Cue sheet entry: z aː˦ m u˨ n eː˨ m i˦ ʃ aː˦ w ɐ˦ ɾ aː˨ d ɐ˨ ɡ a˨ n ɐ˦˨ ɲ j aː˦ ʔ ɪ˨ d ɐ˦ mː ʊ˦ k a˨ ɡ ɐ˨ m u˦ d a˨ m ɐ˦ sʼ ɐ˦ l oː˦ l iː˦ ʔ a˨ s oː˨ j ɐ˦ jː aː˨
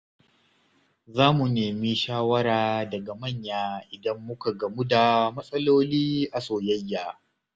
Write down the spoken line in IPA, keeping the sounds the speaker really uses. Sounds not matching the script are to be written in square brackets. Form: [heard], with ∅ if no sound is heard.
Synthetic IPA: z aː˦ m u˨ n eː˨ m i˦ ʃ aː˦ w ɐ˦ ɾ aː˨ d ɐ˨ ɡ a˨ [m] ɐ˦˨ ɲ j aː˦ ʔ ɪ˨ d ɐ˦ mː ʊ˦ k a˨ ɡ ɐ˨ m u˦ d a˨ m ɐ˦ sʼ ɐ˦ l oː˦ l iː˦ ʔ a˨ s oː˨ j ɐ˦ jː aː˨

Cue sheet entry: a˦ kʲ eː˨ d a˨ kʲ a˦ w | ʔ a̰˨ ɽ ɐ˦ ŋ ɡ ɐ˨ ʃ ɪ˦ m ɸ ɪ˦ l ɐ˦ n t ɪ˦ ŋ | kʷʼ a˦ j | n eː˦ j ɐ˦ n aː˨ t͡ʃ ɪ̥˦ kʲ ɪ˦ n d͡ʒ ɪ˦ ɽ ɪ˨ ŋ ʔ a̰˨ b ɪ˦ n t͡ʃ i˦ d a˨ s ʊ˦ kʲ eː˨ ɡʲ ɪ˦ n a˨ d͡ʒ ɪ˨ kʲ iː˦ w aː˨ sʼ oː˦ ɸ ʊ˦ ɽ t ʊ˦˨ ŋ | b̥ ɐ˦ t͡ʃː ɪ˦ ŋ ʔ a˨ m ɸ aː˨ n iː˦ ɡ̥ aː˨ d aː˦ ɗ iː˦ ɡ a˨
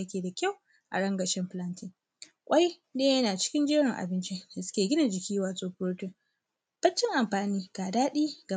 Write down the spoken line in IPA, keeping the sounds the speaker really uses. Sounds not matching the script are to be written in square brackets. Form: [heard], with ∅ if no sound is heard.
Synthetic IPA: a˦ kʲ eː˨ d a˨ kʲ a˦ w | ʔ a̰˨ ɽ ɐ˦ ŋ ɡ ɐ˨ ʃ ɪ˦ m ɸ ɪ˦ l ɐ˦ n t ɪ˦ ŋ | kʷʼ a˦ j | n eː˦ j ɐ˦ n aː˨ t͡ʃ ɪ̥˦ kʲ ɪ˦ n d͡ʒ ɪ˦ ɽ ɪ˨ ŋ ʔ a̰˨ b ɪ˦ n t͡ʃ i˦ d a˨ s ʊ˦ kʲ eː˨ ɡʲ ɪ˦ n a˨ d͡ʒ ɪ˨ kʲ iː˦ w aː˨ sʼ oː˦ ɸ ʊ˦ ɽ t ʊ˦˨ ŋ | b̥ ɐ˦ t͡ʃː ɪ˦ ŋ ʔ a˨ m ɸ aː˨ n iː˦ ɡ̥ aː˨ d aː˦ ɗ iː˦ ɡ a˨

